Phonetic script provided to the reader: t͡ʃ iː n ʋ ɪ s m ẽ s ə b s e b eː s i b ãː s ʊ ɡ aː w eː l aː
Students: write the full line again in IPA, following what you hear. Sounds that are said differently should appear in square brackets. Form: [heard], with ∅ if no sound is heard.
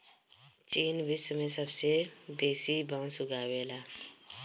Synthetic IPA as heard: t͡ʃ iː n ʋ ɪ s m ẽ s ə b s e b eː s i b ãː s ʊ ɡ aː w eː l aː